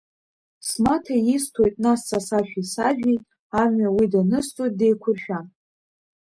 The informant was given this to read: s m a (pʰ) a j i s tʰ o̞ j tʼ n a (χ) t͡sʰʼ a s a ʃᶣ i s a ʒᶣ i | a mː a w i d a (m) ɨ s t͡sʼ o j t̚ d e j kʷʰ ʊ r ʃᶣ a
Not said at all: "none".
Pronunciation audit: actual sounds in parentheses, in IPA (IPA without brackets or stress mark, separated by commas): tʰ, s, n